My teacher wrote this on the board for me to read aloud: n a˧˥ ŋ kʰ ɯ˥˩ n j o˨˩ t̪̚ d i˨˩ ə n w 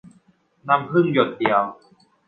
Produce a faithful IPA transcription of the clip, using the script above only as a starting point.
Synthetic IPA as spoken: n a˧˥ m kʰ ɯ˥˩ n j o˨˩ t̪̚ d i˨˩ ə w